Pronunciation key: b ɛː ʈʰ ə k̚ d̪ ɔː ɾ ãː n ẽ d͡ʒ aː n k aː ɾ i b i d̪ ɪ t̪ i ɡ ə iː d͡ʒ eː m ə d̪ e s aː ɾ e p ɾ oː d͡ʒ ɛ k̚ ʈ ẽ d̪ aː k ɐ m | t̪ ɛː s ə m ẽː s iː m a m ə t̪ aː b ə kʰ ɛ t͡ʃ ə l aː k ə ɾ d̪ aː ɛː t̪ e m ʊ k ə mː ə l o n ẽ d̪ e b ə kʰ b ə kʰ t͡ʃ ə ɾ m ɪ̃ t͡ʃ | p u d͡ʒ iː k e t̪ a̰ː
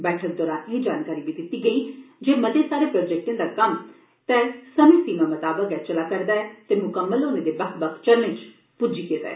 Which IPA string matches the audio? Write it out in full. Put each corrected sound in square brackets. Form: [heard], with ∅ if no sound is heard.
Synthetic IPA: b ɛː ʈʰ ə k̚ d̪ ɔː ɾ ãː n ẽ d͡ʒ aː n k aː ɾ i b i d̪ ɪ t̪ i ɡ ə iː d͡ʒ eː m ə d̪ e s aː ɾ e p ɾ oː d͡ʒ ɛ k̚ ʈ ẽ d̪ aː k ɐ m | t̪ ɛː s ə m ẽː s iː m a m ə t̪ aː b ə [k] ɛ t͡ʃ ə l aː k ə ɾ d̪ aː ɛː t̪ e m ʊ k ə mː ə l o n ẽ d̪ e b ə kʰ b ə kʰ t͡ʃ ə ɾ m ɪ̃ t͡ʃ | p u d͡ʒ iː k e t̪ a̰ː